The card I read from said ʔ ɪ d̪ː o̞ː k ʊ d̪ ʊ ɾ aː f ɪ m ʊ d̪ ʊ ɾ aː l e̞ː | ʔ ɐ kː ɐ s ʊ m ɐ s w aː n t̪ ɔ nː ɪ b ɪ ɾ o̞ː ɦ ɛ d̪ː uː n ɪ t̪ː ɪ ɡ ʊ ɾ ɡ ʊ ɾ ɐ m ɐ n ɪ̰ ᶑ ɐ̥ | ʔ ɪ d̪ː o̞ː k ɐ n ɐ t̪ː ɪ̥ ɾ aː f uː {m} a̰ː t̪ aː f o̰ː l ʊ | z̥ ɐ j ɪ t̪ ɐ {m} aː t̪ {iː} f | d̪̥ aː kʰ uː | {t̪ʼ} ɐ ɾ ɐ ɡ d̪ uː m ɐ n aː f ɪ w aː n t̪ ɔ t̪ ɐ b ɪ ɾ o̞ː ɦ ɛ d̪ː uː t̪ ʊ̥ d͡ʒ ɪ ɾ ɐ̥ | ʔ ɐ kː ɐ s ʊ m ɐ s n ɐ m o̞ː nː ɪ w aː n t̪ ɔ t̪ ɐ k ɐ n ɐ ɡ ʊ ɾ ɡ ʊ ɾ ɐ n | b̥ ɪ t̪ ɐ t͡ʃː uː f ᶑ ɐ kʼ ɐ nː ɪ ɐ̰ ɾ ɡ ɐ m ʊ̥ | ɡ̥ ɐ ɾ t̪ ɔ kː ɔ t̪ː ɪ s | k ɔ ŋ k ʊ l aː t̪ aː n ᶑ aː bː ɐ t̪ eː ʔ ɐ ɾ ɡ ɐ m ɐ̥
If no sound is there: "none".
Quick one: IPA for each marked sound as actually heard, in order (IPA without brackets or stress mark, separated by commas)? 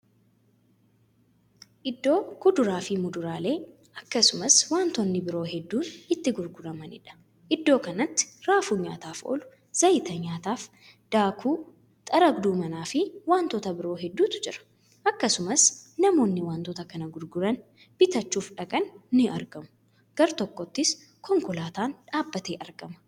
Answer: ɲ, ɲ, aː, t̪ʼ